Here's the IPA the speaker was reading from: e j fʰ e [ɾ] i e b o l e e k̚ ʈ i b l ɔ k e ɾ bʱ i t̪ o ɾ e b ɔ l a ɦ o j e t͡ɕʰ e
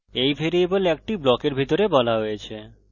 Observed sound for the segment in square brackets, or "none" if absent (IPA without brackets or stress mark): ɾ